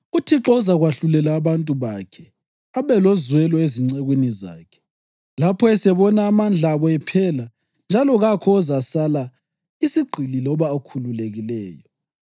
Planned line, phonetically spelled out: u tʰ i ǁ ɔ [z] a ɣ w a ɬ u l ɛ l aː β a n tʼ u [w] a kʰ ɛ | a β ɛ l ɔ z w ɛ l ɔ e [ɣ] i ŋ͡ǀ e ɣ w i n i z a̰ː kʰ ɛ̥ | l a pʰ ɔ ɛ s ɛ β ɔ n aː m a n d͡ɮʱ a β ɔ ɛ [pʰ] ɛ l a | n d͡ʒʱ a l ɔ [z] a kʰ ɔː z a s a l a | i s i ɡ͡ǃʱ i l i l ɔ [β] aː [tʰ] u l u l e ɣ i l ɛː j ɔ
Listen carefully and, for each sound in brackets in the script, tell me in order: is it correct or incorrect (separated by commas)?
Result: correct, incorrect, incorrect, correct, incorrect, correct, incorrect